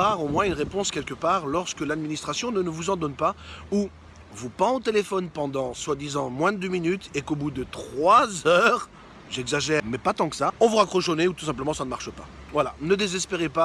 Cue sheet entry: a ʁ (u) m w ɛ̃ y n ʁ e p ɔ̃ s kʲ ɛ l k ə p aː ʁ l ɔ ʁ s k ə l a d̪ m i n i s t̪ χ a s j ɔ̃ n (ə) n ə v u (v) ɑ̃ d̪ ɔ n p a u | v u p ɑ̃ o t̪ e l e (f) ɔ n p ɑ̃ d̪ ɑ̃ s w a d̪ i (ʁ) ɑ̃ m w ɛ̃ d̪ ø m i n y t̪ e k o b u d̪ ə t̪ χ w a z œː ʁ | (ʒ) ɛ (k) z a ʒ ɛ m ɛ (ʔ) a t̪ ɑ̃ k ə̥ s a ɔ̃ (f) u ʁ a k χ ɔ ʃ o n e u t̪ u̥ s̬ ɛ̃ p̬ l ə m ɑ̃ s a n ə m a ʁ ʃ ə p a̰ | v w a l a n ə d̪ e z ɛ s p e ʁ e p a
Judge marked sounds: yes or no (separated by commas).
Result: no, yes, no, yes, no, yes, no, no, no